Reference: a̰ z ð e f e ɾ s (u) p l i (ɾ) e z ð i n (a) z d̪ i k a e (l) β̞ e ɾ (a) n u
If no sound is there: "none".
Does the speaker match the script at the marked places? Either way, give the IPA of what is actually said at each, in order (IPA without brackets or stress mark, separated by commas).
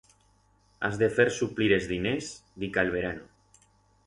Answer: u, ɾ, e, l, a